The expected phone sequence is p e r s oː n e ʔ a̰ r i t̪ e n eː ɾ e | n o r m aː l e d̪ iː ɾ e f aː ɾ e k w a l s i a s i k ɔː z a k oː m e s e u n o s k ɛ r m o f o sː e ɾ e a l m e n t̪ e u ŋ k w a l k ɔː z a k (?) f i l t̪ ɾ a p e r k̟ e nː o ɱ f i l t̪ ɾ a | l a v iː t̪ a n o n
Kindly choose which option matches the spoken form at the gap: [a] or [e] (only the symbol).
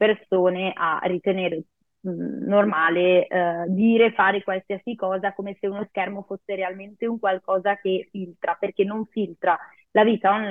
e